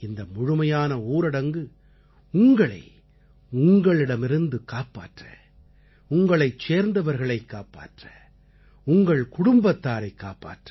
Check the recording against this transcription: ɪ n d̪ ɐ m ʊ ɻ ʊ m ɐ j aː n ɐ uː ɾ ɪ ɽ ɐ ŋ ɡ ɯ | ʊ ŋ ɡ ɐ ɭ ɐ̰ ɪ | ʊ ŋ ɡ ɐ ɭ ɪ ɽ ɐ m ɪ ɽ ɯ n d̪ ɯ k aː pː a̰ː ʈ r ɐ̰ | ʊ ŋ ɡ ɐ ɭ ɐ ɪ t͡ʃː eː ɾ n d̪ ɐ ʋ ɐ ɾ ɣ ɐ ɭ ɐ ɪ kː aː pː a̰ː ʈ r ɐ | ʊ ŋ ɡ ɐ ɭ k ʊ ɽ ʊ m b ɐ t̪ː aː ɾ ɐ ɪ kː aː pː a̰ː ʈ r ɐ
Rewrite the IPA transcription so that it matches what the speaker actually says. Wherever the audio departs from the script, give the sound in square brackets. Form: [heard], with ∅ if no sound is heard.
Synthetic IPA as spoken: ɪ n d̪ ɐ m ʊ ɻ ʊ m ɐ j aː n ɐ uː ɾ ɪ ɽ ɐ ŋ ɡ ɯ | ʊ ŋ ɡ ɐ ɭ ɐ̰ ɪ | ʊ ŋ ɡ ɐ ɭ ɪ ɽ ɐ m ɪ [ɾ] ɯ n d̪ ɯ k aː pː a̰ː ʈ r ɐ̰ | ʊ ŋ ɡ ɐ ɭ ɐ ɪ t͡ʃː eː ɾ n d̪ ɐ ʋ ɐ ɾ ɣ ɐ ɭ ɐ ɪ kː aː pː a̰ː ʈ r ɐ | ʊ ŋ ɡ ɐ ɭ k ʊ ɽ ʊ m b ɐ t̪ː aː ɾ ɐ ɪ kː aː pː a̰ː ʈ r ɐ